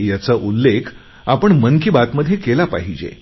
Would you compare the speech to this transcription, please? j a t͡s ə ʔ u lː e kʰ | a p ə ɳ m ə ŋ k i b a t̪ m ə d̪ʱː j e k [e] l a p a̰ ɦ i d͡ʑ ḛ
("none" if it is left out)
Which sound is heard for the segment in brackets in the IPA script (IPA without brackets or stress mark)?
e